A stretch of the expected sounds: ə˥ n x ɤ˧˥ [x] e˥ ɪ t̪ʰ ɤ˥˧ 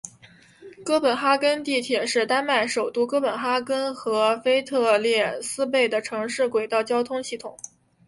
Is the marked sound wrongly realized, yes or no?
yes